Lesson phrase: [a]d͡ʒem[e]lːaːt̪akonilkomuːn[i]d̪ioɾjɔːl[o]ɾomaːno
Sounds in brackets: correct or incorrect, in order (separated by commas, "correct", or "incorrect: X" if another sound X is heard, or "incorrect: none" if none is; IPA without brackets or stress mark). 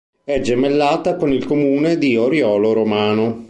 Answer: incorrect: ɛ, correct, incorrect: e, correct